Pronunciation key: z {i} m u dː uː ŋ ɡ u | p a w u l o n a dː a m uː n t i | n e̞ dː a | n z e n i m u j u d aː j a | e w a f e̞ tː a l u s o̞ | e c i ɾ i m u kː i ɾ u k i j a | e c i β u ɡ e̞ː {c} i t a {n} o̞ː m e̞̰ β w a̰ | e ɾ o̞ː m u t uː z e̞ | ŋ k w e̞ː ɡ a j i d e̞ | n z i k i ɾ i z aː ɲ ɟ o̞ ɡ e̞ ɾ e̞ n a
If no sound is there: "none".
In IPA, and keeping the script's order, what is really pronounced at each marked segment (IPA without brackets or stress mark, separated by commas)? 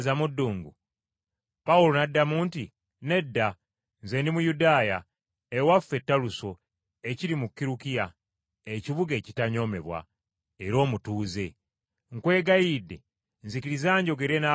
a, c, ɲ